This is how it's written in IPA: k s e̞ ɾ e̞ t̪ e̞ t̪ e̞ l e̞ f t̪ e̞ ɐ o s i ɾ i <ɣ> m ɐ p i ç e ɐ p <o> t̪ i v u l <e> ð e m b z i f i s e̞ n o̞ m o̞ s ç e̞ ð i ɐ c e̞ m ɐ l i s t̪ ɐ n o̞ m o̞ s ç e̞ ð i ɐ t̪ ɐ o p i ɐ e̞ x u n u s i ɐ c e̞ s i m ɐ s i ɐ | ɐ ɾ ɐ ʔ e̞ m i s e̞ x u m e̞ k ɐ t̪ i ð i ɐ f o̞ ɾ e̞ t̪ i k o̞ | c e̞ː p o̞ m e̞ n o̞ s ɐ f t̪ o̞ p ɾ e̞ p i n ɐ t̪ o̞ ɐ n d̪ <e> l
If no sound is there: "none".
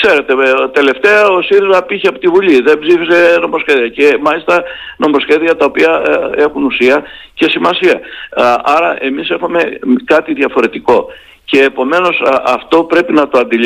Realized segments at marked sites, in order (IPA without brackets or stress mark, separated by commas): z, o, i, i